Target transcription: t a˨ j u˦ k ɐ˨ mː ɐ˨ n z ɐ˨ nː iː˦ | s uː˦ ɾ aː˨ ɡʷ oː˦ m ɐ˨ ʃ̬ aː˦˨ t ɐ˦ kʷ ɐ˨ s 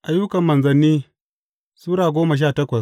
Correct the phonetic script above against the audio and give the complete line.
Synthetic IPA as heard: ʔ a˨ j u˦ k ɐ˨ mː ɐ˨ n z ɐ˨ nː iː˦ | s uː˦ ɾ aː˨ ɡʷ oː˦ m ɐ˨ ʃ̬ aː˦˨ t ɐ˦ kʷ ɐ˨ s